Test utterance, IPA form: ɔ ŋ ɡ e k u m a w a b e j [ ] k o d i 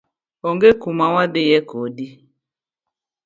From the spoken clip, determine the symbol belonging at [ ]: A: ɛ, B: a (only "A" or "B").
A